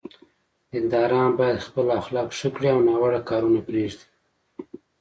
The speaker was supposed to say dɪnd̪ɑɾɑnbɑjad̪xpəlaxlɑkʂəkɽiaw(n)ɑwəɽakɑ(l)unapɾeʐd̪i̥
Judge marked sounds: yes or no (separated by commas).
yes, no